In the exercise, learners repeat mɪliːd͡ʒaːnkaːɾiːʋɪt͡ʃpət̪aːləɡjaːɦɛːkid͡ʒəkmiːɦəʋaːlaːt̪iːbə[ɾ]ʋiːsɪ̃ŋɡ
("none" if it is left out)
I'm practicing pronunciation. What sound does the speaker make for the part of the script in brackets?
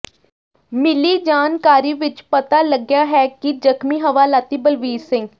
l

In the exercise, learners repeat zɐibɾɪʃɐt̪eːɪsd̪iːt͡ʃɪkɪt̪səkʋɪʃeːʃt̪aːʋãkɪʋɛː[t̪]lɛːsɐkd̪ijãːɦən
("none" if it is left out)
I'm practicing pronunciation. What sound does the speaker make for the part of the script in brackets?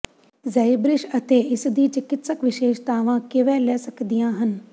none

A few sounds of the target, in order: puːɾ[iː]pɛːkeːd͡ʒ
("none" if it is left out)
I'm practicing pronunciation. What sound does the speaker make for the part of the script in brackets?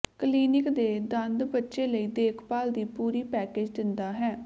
iː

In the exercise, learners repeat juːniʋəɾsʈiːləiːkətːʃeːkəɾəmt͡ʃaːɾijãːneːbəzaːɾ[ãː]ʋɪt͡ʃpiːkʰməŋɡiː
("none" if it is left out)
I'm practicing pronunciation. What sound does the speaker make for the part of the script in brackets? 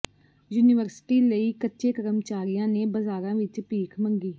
ãː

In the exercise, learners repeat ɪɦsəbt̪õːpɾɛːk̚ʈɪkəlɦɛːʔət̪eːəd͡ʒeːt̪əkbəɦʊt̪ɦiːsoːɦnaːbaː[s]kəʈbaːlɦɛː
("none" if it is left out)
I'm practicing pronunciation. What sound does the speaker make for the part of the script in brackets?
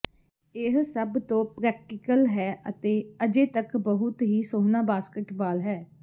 s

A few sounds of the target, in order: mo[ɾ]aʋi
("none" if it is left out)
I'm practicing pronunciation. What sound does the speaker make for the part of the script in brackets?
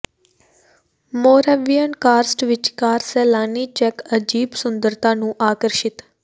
ɾ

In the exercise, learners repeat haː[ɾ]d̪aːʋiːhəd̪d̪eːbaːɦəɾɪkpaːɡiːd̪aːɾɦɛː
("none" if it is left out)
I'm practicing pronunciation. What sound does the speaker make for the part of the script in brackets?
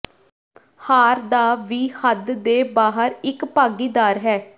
ɾ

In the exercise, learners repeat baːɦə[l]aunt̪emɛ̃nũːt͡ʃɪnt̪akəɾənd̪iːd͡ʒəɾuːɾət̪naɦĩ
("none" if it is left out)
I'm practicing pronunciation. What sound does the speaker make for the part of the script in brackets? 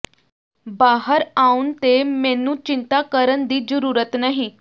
ɾ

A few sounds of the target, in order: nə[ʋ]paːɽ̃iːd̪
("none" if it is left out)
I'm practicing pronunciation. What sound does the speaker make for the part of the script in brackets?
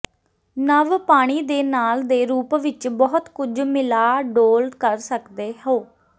ʋ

